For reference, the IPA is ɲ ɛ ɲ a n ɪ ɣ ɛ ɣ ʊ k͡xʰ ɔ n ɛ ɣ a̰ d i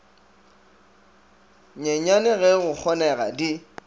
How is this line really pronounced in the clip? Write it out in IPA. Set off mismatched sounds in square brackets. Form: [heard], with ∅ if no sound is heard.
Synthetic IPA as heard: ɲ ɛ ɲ a n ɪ ɣ ɛ ɣ ʊ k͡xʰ ɔ n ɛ ɣ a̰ d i